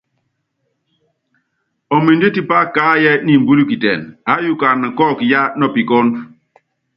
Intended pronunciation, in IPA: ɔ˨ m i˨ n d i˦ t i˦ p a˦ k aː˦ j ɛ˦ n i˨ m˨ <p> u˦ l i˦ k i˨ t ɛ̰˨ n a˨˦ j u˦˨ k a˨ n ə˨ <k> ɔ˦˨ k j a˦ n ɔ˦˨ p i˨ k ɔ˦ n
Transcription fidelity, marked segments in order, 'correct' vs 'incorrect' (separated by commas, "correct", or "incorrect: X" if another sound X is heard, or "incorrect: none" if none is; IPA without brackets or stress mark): incorrect: b, correct